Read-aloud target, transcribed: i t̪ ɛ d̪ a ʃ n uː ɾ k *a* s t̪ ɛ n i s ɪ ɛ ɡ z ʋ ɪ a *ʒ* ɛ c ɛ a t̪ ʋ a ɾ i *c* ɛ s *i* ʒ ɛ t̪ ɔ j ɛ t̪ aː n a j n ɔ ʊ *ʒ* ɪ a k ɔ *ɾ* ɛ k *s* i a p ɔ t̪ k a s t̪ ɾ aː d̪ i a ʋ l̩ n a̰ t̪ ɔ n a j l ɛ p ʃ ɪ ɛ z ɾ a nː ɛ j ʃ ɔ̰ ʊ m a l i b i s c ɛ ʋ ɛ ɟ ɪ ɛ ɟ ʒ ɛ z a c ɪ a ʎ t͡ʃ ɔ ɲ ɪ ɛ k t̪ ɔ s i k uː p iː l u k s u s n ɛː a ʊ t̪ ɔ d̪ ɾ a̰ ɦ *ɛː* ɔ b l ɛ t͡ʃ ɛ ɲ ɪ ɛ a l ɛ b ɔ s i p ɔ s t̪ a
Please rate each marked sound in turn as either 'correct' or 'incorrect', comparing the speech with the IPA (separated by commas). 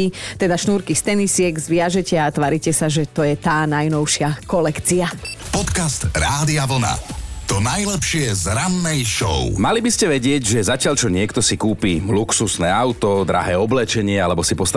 incorrect, correct, correct, incorrect, incorrect, incorrect, incorrect, correct